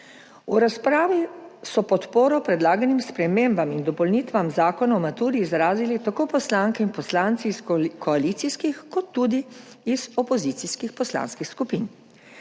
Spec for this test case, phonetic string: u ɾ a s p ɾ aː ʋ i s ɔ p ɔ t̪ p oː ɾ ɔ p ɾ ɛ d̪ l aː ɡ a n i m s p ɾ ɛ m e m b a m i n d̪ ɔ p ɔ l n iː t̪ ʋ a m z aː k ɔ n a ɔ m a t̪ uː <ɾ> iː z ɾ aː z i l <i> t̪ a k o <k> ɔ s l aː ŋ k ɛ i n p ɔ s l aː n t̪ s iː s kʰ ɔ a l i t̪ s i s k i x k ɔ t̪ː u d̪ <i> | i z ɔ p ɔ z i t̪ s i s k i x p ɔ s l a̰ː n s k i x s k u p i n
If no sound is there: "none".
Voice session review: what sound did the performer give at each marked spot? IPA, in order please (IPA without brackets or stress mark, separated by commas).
ɾ, i, p, i